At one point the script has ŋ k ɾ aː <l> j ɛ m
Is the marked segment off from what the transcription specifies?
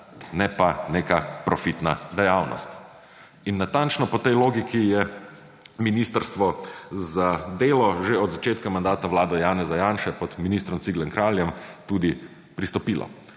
no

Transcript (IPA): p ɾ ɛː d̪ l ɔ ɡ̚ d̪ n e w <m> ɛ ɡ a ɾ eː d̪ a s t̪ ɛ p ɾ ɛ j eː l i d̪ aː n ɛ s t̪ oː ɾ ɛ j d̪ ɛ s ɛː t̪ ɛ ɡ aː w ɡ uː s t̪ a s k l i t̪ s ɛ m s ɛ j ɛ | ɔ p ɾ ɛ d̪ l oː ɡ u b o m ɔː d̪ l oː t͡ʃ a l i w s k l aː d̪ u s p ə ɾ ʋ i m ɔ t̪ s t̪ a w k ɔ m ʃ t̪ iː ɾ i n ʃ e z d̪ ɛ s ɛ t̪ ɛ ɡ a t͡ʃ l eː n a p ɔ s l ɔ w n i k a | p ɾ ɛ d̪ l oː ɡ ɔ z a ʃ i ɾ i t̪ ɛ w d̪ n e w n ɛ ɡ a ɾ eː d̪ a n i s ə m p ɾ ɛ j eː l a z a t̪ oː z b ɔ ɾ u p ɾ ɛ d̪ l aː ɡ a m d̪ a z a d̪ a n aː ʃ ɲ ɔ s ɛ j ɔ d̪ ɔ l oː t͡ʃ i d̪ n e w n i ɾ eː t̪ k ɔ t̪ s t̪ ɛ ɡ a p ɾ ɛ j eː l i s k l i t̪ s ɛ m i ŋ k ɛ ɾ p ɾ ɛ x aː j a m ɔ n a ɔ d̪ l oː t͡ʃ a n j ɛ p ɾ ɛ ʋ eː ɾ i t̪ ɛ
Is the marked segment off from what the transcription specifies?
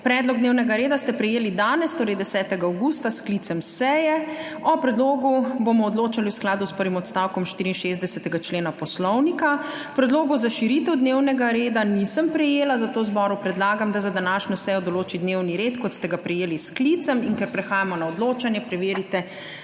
yes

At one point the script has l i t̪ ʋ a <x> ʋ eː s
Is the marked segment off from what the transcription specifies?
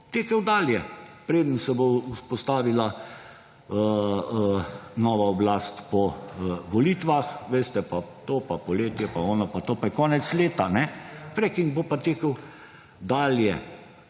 no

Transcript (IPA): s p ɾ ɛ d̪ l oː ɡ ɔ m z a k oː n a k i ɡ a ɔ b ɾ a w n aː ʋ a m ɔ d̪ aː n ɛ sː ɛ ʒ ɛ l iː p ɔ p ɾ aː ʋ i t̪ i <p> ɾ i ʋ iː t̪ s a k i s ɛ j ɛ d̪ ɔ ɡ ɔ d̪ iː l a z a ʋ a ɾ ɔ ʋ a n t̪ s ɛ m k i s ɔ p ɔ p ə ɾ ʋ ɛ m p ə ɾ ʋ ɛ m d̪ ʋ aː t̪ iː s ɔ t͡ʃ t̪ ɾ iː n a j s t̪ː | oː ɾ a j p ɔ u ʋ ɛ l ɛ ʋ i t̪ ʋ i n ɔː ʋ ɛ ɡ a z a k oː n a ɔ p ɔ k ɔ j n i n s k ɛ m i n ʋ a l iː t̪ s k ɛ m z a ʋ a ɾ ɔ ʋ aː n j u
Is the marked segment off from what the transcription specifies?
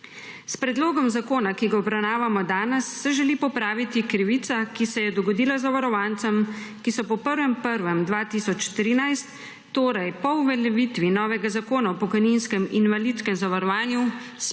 yes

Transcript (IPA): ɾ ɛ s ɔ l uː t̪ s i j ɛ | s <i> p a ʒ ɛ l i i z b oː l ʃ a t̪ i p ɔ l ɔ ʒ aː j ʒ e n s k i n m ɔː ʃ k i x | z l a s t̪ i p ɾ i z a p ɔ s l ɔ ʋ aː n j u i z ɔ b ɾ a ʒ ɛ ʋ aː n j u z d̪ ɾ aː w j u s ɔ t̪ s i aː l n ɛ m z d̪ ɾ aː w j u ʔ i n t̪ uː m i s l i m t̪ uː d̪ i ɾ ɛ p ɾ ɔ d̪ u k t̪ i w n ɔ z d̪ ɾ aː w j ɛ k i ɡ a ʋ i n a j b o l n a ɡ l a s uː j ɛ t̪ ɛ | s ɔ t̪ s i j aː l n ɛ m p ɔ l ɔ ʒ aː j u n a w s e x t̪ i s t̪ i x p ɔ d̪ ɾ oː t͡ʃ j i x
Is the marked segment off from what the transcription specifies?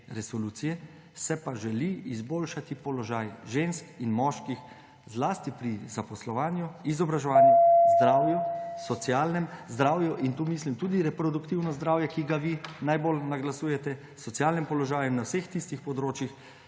yes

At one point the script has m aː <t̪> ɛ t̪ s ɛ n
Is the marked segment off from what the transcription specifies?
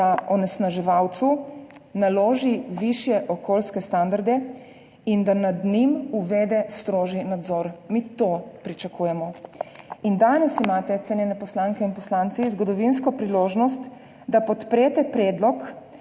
no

